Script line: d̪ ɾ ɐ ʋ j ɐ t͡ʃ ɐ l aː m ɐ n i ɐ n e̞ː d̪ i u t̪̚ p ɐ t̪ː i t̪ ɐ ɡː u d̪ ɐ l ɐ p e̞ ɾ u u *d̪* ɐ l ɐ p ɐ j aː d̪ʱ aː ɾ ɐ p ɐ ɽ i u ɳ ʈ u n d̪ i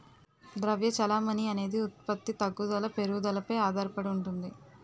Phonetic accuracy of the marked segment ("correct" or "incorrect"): correct